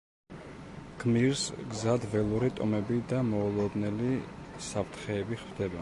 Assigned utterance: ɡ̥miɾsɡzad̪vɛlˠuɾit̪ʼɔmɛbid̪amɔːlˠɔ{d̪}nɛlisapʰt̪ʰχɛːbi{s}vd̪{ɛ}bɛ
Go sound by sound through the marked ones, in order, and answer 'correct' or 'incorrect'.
correct, incorrect: χ, correct

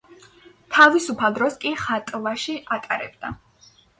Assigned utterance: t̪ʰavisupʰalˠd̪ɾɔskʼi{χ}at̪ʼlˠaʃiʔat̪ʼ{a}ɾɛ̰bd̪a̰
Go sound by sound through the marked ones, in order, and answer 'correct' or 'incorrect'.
correct, correct

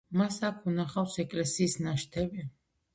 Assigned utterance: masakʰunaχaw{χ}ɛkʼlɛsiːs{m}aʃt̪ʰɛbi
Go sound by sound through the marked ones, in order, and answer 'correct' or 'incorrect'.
incorrect: s, incorrect: n

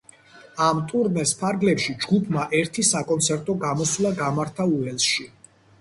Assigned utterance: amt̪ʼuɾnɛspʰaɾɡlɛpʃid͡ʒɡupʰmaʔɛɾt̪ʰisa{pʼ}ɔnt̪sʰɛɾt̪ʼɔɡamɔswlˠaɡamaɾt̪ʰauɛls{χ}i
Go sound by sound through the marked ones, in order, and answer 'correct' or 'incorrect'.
incorrect: kʼ, incorrect: ʃ

